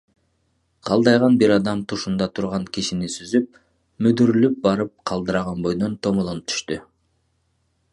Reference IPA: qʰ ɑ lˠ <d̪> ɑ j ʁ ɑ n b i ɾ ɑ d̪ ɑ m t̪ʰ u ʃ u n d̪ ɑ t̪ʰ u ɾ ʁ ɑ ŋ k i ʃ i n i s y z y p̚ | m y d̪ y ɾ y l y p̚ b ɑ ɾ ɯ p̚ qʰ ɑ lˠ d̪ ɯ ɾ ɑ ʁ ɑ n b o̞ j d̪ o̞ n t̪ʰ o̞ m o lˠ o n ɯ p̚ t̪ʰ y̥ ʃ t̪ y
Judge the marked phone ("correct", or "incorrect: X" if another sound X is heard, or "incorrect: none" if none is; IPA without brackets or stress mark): correct